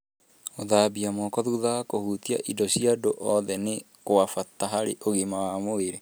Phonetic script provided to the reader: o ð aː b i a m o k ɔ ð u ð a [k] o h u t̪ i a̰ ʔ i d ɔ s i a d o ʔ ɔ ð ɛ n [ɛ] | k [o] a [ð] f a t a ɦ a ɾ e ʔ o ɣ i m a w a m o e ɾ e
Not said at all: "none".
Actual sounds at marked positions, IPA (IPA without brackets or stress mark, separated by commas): k, e, o, none